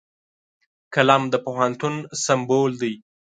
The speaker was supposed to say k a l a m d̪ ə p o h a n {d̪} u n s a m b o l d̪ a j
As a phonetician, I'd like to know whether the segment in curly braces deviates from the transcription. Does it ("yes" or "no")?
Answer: yes